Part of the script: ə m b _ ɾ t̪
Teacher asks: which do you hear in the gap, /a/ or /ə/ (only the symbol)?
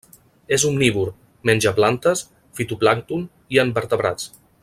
ə